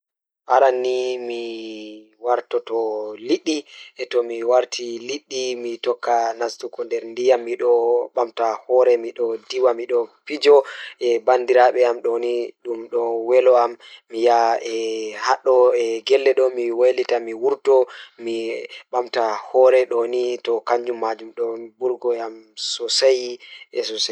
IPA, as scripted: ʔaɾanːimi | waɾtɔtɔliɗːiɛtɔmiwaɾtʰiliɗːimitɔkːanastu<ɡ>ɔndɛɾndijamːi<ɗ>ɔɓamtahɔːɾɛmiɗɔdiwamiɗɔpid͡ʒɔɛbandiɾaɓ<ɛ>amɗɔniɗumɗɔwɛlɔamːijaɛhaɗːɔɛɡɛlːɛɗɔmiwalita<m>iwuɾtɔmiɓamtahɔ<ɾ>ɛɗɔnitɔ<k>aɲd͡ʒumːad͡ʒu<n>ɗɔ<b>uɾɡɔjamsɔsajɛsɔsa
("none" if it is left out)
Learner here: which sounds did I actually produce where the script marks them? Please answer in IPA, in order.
k, ɗ, ɛ, m, ɾ, k, m, b

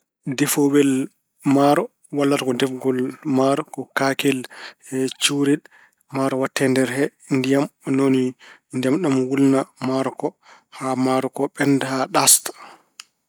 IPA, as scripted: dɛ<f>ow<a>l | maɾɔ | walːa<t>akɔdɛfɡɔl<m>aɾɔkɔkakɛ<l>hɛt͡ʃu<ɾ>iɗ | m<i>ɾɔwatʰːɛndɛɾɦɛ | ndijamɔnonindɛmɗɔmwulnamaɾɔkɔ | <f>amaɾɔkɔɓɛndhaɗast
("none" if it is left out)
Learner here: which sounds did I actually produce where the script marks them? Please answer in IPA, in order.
f, ɛ, t, m, l, ɾ, a, h

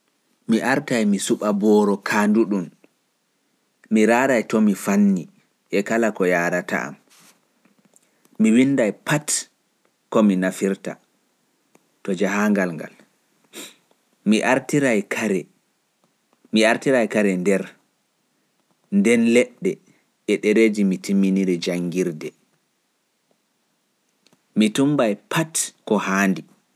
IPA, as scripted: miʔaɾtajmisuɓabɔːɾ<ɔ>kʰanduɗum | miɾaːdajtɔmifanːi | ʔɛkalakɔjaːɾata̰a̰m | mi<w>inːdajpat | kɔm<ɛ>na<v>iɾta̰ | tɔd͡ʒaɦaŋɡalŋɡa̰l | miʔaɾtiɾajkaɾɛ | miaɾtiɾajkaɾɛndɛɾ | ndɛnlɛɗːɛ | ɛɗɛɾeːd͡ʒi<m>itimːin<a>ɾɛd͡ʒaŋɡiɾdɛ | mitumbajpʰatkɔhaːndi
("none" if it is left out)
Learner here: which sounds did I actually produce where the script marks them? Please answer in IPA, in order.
ɔ, w, i, f, m, i

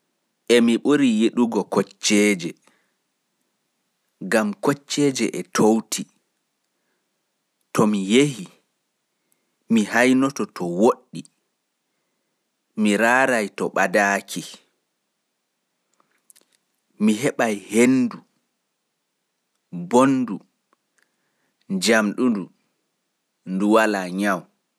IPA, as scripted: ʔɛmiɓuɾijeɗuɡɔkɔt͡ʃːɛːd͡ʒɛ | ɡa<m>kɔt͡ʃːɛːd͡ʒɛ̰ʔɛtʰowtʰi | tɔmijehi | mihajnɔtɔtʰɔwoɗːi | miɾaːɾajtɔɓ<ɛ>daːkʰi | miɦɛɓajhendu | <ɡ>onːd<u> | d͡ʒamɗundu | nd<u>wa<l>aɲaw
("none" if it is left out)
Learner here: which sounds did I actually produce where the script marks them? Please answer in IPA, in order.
m, a, b, u, u, l

